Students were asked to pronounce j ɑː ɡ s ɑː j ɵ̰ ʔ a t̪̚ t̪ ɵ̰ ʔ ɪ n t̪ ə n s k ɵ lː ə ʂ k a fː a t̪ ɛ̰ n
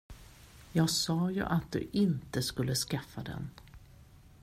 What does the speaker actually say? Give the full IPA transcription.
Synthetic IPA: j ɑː ɡ s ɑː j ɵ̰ ʔ a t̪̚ d̪ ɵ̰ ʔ ɪ n t̪ ə s k ɵ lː ə s k a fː a d̪ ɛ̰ n